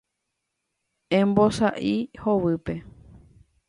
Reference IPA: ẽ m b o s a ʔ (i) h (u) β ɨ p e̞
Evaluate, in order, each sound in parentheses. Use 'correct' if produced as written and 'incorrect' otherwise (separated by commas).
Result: correct, incorrect